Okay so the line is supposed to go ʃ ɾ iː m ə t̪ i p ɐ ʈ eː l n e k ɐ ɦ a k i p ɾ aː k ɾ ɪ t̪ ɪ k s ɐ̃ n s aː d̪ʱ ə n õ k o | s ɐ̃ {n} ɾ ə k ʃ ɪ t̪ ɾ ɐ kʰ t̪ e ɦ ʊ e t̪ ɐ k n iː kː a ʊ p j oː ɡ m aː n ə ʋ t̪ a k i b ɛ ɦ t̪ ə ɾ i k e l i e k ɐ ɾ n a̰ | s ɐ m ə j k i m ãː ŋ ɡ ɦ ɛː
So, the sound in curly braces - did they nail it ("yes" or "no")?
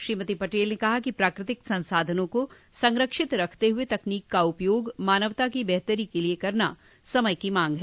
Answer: no